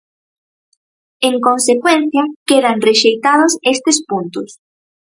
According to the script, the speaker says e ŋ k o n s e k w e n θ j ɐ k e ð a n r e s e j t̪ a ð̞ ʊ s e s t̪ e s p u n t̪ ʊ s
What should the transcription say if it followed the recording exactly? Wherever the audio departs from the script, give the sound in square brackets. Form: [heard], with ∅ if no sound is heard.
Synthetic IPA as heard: e ŋ k o n s e k w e n θ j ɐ k e ð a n r e [ʃ] e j t̪ a ð̞ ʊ s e s t̪ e s p u n t̪ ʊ s